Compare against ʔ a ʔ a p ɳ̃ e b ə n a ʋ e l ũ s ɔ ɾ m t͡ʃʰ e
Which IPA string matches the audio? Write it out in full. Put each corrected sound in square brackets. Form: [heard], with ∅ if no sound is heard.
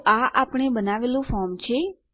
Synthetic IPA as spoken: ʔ a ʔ a p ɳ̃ e b ə n a ʋ e l ũ [f] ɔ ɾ m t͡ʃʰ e